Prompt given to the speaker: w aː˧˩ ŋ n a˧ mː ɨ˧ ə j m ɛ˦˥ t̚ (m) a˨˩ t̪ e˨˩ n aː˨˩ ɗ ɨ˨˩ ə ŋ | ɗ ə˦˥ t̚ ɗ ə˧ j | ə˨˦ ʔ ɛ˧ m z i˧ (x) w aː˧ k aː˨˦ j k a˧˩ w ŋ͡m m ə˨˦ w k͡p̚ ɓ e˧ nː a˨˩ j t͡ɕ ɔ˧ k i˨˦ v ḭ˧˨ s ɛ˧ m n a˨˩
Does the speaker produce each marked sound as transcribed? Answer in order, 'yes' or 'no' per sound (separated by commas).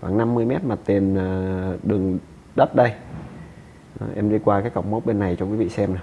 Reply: yes, no